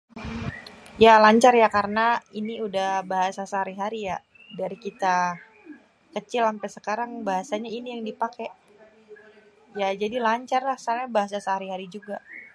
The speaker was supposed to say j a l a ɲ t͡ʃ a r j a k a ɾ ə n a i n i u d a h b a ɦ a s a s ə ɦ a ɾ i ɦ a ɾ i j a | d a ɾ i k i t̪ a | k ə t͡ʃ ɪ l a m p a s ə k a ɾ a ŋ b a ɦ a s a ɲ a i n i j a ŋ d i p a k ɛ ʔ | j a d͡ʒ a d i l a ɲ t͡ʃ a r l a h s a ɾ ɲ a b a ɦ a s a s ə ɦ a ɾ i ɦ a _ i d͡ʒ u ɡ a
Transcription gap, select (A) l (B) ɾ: B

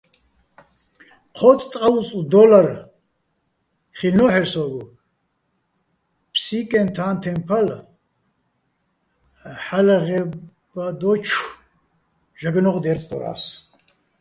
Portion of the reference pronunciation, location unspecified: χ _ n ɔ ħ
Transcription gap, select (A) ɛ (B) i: B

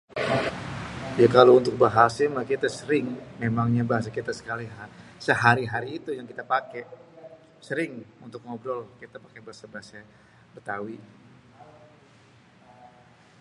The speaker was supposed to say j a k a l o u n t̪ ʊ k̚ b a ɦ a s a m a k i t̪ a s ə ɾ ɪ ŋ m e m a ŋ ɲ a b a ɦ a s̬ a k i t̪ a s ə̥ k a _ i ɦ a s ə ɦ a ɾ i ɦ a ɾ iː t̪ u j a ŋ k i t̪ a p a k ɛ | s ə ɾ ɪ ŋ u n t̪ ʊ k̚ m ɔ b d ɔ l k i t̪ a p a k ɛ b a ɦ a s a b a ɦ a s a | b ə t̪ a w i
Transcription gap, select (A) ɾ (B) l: B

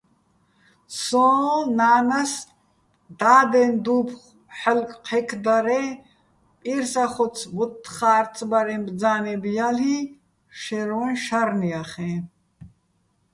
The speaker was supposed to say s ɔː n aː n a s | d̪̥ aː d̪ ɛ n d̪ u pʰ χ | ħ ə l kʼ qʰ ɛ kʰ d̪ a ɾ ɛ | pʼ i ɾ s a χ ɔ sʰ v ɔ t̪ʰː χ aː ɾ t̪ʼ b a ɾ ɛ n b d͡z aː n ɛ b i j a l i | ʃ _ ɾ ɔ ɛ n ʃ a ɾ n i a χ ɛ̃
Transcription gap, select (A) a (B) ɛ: B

